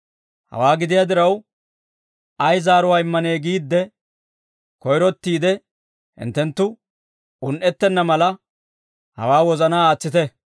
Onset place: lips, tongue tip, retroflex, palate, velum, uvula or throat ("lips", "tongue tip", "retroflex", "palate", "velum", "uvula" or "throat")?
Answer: throat